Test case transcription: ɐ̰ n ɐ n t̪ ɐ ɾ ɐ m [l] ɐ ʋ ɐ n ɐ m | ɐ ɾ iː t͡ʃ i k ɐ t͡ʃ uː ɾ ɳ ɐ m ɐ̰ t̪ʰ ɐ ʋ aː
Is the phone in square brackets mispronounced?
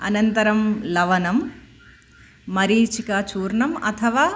no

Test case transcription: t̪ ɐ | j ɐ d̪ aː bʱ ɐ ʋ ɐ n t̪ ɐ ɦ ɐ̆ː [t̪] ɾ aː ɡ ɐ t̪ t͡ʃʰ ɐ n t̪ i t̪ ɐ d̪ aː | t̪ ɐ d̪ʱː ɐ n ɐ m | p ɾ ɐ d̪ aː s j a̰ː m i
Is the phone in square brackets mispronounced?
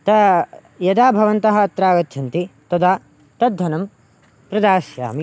no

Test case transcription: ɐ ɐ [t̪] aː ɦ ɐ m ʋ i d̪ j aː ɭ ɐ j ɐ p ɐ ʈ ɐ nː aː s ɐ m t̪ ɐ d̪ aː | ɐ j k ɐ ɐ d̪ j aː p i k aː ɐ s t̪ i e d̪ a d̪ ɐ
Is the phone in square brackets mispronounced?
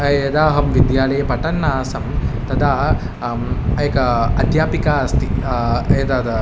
yes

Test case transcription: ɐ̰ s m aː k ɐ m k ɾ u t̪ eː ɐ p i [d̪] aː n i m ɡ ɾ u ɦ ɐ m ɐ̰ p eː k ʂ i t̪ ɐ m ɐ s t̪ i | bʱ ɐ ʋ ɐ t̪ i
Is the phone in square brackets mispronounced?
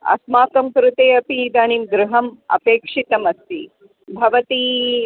no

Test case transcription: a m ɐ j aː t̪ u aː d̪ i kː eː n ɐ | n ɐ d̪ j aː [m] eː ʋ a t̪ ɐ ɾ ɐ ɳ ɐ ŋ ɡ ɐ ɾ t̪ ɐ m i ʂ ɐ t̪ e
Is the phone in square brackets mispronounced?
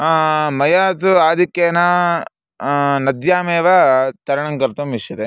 no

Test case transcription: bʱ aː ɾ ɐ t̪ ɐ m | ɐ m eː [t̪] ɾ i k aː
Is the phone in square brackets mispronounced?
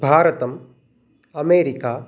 yes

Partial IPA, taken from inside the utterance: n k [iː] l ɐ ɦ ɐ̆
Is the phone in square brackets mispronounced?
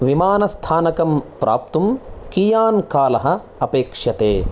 yes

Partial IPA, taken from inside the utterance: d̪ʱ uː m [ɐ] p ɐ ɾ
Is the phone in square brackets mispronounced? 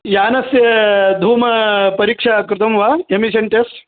no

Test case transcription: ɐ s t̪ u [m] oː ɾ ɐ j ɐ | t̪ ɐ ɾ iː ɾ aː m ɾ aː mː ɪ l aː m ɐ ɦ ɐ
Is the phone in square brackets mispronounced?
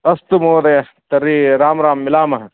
no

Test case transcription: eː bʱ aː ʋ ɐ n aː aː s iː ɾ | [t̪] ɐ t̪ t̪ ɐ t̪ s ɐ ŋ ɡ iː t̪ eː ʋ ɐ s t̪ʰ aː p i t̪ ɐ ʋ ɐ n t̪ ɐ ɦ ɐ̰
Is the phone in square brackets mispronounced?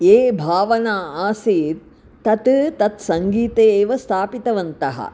no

